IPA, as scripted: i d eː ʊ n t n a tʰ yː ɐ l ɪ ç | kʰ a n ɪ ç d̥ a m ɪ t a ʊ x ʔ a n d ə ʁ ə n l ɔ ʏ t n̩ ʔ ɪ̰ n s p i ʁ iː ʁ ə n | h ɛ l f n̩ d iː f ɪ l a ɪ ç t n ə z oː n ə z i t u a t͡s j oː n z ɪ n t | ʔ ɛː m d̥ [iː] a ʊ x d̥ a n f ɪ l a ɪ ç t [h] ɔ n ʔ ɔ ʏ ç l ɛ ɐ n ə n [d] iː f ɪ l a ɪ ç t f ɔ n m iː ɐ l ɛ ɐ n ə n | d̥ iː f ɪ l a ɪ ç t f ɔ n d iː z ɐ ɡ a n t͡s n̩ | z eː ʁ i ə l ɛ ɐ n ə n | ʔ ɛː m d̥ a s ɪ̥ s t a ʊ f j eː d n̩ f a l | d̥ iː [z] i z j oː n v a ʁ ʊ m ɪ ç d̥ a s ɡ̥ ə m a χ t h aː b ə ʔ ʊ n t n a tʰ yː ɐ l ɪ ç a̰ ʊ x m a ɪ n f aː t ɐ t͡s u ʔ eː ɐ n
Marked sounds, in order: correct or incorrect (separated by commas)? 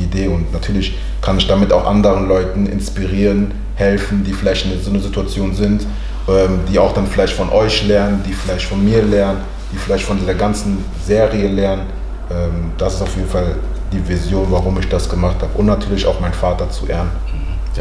correct, incorrect, correct, incorrect